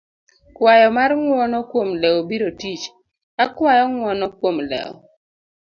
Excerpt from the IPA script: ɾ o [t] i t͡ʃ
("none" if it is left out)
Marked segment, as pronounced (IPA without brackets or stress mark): t